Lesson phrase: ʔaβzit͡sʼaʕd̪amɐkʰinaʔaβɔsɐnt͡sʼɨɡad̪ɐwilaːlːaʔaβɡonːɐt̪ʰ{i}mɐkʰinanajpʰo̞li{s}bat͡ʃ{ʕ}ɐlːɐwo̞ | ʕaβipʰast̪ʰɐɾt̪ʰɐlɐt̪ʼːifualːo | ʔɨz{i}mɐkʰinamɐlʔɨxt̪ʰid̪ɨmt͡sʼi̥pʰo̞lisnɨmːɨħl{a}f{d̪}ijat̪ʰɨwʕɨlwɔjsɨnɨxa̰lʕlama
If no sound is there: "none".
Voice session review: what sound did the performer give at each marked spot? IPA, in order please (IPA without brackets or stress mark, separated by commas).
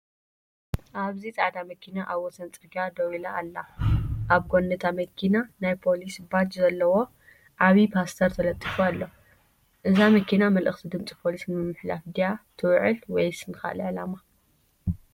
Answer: a, s, z, a, a, d̪